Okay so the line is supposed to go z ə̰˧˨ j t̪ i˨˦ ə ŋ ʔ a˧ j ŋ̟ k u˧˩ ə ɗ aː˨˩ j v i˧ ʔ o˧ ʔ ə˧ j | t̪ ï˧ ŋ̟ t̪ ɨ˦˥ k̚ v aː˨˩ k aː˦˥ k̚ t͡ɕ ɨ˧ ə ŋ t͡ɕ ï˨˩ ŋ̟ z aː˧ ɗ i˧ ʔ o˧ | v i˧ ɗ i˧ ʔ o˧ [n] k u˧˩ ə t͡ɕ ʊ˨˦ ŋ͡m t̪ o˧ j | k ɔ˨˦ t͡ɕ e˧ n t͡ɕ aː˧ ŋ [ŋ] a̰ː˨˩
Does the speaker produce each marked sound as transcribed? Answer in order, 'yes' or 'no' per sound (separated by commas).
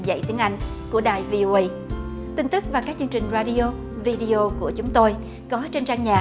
no, no